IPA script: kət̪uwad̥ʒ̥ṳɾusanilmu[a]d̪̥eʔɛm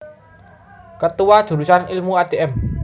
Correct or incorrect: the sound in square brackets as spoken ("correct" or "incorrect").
correct